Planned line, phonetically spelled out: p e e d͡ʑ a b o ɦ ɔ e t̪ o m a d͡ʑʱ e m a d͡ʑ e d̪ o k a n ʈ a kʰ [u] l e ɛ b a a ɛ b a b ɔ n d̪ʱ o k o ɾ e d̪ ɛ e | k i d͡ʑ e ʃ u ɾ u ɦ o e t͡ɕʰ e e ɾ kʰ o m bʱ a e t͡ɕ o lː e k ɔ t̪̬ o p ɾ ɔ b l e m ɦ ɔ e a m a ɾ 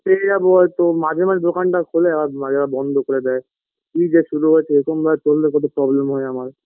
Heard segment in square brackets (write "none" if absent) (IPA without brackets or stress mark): o